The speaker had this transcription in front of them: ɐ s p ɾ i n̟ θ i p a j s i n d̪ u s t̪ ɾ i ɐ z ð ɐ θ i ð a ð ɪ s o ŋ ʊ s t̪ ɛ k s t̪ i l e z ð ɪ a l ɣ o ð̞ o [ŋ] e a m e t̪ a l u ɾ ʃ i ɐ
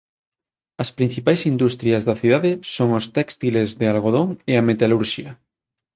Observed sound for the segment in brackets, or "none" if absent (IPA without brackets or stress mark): ŋ